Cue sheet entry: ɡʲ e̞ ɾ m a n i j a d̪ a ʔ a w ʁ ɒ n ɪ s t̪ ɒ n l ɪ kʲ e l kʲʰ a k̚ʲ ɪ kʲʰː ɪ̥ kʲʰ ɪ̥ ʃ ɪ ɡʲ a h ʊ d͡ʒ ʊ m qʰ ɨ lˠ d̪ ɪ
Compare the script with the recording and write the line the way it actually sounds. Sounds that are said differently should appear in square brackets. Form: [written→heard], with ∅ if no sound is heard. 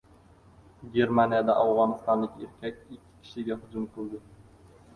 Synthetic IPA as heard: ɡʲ e̞ ɾ m a n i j a d̪ a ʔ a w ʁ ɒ n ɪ s t̪ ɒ n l ɪ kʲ e [l→ɾ] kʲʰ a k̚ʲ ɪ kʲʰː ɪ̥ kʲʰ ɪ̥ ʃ ɪ ɡʲ a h ʊ d͡ʒ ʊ m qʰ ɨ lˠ d̪ ɪ